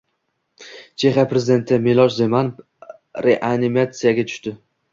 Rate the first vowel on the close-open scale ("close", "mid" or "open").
mid